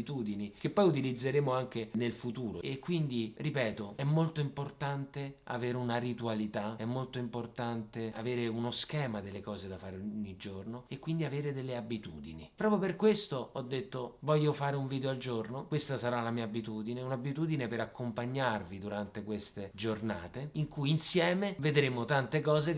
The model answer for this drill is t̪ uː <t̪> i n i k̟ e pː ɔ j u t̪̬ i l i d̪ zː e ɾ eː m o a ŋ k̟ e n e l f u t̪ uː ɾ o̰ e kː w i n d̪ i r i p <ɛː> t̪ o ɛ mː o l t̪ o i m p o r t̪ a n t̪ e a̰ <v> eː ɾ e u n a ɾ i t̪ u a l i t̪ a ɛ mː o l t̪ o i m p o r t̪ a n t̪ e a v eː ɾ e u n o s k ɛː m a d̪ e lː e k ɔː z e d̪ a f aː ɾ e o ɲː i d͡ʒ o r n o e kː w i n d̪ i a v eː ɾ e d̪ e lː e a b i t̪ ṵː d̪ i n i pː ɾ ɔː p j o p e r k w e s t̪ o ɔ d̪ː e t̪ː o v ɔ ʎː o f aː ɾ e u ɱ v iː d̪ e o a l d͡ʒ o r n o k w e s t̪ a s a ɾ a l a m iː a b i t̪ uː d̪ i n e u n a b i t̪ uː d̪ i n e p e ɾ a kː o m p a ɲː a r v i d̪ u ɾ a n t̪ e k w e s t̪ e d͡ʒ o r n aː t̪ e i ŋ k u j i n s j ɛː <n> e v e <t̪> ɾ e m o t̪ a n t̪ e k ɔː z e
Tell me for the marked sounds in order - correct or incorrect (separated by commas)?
incorrect, correct, correct, incorrect, incorrect